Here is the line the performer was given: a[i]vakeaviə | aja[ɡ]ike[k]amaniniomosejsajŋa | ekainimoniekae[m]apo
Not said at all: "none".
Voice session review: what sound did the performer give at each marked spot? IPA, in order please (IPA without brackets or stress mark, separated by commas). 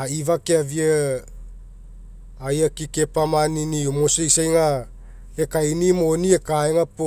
i, k, p, ŋ